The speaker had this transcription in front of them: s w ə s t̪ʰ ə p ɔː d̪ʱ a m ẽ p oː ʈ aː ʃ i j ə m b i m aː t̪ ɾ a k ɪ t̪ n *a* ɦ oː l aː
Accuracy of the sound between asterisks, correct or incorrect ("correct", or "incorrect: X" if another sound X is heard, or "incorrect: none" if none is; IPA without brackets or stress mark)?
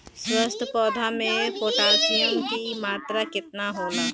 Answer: correct